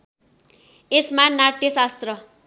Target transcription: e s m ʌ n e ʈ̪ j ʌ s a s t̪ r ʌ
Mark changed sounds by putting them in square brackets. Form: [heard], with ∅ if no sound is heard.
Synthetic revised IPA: e s m [a] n [a] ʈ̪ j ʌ s a s t̪ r ʌ